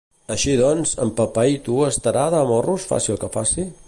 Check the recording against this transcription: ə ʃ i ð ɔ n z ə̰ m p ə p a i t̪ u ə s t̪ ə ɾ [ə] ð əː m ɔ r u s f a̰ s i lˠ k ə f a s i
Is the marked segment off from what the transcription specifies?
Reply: yes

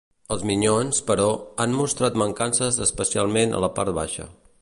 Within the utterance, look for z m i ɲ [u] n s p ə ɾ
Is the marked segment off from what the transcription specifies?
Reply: yes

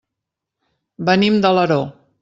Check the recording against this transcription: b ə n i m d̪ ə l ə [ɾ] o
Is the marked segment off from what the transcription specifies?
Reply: no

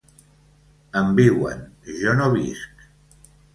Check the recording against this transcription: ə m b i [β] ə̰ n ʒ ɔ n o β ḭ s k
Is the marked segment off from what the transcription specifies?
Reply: yes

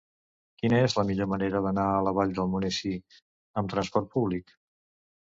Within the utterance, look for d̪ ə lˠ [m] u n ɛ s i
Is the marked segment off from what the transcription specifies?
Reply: no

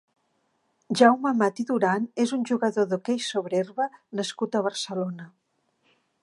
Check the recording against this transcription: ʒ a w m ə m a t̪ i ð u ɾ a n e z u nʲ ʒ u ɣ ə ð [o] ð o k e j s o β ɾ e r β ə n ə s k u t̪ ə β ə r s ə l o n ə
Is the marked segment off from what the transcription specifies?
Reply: no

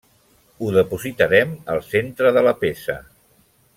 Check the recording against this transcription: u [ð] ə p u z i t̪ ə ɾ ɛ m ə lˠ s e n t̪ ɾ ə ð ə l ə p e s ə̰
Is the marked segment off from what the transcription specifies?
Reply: no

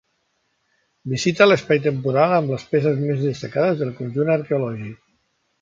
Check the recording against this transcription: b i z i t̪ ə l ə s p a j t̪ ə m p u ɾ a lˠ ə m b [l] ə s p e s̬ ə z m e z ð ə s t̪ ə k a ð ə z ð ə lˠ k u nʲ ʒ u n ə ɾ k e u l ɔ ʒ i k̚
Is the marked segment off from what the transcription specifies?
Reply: no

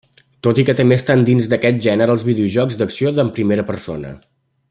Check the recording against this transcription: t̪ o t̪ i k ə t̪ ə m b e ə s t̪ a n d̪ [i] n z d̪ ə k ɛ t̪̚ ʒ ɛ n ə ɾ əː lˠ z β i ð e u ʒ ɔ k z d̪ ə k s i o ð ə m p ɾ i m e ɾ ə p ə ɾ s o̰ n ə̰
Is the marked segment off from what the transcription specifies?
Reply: no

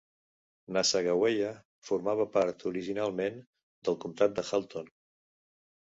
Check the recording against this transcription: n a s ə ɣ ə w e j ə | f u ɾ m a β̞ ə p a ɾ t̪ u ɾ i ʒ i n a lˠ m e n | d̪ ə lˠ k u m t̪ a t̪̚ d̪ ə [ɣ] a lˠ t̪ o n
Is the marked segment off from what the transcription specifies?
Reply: yes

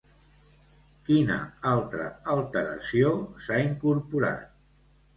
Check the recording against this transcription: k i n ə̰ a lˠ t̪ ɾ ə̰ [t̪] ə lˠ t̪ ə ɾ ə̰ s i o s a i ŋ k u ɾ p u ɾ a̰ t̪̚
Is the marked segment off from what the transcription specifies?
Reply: yes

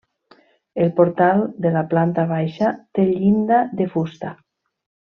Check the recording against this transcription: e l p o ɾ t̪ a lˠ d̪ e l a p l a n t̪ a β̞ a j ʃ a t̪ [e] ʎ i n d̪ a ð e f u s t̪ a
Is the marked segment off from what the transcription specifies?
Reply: no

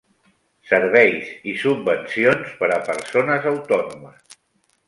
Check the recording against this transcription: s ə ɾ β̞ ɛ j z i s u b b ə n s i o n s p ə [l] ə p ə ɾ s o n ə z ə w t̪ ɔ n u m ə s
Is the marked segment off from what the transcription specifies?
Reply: yes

